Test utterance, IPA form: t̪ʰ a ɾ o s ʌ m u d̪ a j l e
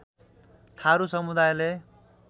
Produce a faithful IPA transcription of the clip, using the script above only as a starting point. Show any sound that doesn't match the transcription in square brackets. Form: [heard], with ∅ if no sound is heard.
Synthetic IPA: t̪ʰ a ɾ [u] s ʌ m u d̪ a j l e